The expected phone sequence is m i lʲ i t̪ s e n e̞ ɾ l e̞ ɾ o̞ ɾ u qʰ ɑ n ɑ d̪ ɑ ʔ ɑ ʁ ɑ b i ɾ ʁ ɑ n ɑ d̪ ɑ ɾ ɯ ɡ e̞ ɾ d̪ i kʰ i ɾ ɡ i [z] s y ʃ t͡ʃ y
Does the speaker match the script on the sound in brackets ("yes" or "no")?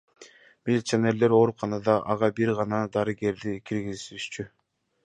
yes